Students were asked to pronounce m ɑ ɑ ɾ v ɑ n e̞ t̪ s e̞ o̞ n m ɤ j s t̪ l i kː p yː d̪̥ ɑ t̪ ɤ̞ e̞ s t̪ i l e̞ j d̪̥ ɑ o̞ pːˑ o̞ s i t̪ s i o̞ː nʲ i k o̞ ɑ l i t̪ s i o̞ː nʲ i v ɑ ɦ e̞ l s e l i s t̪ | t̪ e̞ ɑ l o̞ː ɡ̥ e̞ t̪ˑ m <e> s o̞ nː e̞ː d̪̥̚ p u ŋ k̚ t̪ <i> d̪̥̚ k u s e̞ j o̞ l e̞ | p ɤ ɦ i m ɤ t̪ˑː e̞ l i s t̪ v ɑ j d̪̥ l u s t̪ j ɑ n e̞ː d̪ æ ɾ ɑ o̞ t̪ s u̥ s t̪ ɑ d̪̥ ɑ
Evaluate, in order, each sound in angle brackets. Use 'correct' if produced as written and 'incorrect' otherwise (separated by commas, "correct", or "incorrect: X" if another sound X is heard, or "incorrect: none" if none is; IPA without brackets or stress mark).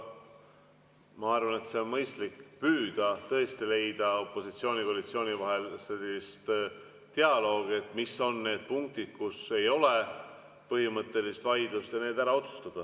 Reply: incorrect: i, correct